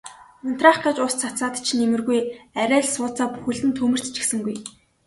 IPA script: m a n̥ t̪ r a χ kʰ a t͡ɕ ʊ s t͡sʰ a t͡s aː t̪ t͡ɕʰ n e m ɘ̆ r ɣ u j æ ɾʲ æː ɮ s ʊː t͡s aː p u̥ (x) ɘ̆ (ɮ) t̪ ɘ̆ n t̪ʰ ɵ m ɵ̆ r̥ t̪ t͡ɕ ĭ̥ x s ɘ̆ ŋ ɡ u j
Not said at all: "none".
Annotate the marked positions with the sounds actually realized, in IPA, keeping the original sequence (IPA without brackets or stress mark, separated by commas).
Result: x, ɮ